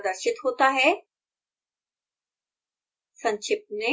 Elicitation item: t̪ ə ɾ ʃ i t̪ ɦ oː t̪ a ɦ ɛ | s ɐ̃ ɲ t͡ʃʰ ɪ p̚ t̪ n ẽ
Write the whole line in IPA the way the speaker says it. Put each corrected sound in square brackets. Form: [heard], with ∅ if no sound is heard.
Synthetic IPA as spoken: [d̪] ə ɾ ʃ [ɪ] t̪ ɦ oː t̪ a ɦ ɛ | s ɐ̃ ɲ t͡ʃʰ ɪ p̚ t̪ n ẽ